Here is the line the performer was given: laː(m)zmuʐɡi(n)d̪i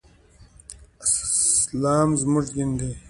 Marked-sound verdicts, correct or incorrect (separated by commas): correct, correct